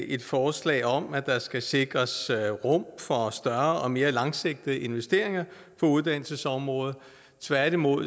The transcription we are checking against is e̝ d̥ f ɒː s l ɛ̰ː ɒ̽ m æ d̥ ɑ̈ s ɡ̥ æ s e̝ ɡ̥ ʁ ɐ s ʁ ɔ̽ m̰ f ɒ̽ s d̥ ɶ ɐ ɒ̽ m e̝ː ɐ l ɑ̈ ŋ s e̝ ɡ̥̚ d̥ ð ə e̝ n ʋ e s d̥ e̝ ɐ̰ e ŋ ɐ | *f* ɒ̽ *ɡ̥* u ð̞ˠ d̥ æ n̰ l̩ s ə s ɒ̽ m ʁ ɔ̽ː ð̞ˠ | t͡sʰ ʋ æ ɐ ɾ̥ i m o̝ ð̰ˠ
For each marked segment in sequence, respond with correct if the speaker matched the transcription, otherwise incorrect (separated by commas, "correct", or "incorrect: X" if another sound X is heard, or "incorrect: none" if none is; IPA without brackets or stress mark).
correct, incorrect: none